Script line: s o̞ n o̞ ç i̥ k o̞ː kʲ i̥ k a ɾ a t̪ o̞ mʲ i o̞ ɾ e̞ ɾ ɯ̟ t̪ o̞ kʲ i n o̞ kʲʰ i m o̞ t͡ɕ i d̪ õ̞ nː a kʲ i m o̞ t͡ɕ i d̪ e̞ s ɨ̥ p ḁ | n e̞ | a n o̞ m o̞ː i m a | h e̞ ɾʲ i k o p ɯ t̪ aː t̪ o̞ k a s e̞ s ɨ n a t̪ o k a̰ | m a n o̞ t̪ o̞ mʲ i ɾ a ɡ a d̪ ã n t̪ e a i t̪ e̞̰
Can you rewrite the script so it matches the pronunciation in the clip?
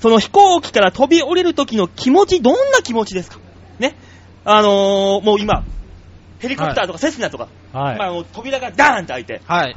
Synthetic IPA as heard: s o̞ n o̞ ç i̥ k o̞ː kʲ i̥ k a ɾ a t̪ o̞ bʲ i o̞ ɾ e̞ ɾ ɯ̟ t̪ o̞ kʲ i n o̞ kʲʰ i m o̞ t͡ɕ i d̪ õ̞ nː a kʲ i m o̞ t͡ɕ i d̪ e̞ s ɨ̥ k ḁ | n e̞ | a n o̞ m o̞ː i m a | h e̞ ɾʲ i k o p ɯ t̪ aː t̪ o̞ k a s e̞ s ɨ n a t̪ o k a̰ | m a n o̞ t̪ o̞ bʲ i ɾ a ɡ a d̪ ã n t̪ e a i t̪ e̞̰